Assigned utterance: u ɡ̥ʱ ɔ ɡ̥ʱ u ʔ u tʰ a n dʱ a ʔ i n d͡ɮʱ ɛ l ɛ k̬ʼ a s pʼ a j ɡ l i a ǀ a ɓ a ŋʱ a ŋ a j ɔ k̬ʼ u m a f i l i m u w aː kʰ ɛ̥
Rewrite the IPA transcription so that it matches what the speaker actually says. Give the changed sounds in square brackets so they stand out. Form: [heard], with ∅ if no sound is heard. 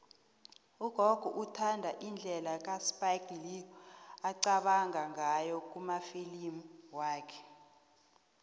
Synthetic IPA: u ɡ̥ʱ ɔ ɡ̥ʱ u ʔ u tʰ a n dʱ a ʔ i n d͡ɮʱ ɛ l [a] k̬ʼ a s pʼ a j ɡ l i a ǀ a ɓ a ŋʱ a ŋ a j ɔ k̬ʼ u m a f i l i m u w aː kʰ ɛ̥